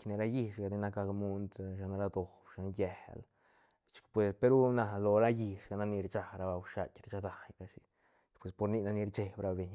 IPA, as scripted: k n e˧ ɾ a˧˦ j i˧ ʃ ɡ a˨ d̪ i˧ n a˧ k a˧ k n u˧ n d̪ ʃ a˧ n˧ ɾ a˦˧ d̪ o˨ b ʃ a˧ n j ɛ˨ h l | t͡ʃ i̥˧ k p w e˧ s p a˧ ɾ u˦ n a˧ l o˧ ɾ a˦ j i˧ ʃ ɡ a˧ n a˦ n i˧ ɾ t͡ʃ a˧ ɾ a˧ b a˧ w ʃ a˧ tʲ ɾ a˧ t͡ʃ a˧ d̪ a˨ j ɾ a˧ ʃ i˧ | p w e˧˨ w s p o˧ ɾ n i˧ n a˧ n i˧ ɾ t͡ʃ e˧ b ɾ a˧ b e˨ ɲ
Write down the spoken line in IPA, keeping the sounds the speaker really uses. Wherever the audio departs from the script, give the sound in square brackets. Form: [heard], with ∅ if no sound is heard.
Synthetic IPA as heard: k n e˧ ɾ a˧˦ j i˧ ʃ ɡ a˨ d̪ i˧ n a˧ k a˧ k [m] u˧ n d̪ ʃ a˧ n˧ ɾ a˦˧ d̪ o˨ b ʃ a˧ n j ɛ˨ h l | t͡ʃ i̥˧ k p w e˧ s p [e˧] ɾ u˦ n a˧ l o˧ ɾ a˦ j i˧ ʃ ɡ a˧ n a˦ n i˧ ɾ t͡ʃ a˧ ɾ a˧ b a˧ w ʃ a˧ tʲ ɾ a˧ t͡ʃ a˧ d̪ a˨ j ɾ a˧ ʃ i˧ | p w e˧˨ [∅] s p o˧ ɾ n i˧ n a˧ n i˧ ɾ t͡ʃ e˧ b ɾ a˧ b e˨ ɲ